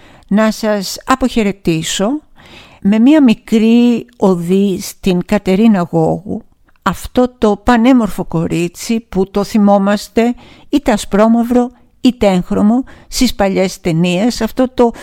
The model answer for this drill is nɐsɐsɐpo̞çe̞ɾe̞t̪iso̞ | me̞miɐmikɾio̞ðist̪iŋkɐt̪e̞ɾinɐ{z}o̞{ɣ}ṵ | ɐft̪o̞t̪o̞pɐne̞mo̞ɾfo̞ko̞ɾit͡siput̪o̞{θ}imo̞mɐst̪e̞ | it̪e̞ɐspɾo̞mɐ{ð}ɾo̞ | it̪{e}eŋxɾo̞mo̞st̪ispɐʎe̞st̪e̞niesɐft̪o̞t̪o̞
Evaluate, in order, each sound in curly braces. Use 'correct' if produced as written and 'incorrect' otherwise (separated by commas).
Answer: incorrect, correct, correct, incorrect, correct